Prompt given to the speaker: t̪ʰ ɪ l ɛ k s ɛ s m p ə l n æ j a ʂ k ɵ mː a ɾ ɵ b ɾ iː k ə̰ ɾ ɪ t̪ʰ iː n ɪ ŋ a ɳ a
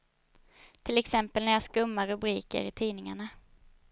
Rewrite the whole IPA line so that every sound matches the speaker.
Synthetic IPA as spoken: t̪ʰ ɪ l ɛ k s ɛ m p ə l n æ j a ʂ k ɵ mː a ɾ ɵ b ɾ iː k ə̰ ɾ ɪ t̪ʰ iː n ɪ ŋ a ɳ a